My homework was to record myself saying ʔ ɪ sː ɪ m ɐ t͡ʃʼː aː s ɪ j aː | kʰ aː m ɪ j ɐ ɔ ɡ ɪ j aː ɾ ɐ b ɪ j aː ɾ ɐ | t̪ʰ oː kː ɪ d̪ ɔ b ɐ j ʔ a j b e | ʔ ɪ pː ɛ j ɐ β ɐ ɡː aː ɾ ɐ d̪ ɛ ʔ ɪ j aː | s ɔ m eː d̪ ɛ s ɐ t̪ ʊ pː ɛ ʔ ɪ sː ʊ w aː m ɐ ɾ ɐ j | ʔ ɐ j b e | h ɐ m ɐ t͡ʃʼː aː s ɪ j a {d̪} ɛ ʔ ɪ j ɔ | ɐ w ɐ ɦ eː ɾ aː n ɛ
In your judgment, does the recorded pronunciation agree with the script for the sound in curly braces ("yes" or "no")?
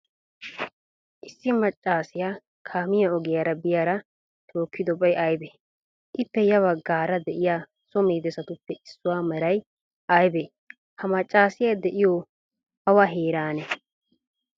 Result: yes